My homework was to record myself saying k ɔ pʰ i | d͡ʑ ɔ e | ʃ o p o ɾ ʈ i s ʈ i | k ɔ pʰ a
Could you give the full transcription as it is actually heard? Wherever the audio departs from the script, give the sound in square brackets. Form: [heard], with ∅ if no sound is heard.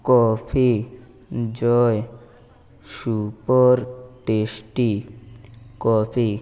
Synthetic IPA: k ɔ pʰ i | d͡ʑ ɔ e | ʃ [u] p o ɾ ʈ [e] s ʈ i | k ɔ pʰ [i]